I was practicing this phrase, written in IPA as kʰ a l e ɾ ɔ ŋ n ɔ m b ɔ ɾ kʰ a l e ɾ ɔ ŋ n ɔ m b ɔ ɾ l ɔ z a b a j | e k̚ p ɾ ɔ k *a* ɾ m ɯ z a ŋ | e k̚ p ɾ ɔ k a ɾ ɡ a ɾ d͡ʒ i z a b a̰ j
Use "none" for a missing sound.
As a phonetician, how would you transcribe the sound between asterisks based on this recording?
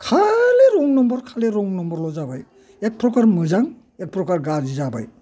a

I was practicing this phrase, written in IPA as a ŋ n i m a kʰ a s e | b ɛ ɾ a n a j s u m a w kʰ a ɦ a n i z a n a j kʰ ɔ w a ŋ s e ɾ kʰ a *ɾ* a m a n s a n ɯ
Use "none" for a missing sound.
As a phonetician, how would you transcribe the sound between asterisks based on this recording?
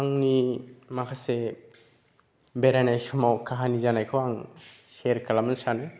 l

